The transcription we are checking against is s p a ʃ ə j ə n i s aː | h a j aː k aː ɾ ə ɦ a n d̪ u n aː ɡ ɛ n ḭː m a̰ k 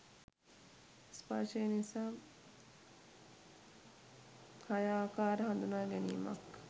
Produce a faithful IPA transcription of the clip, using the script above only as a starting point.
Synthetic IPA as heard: s p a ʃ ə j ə n i s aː | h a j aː k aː ɾ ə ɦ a n d̪ u n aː ɡ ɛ n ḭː m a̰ k